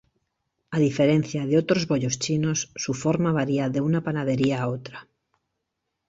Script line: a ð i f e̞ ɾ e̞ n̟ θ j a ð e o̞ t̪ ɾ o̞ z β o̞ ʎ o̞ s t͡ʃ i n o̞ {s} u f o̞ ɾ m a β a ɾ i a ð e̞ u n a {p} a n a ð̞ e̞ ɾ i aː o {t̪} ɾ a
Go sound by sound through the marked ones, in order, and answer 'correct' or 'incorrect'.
incorrect, correct, correct

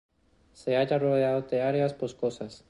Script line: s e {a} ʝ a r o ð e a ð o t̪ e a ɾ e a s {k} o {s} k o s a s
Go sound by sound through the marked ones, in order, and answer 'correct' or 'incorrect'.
correct, incorrect, correct

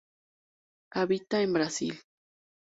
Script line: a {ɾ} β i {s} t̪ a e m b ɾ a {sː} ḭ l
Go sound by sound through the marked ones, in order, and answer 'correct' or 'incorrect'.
incorrect, incorrect, incorrect

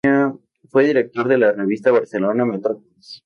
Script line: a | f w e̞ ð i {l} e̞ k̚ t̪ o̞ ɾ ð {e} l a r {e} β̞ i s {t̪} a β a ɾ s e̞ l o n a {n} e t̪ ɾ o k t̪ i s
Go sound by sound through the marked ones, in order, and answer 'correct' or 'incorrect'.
incorrect, correct, correct, correct, incorrect

